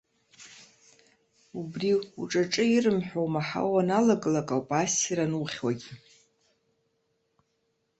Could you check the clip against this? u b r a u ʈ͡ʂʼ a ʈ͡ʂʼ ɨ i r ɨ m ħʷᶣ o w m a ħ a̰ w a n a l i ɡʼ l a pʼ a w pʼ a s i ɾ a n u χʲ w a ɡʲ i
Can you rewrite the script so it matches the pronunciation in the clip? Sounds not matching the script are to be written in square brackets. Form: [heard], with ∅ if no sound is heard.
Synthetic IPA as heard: u b r [i] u ʈ͡ʂʼ a ʈ͡ʂʼ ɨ i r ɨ m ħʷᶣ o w m a ħ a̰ w a n a l [a] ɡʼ l a [kʼ] a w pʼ a s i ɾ a n u χʲ w a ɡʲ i